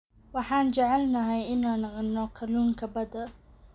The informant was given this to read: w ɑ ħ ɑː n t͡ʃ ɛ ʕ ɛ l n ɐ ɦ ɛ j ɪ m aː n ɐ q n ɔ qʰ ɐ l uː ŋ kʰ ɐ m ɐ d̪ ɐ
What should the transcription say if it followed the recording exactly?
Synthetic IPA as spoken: w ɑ ħ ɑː n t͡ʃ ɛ ʕ ɛ l n ɐ ɦ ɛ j ɪ n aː n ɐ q n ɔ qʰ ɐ l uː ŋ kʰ ɐ b ɐ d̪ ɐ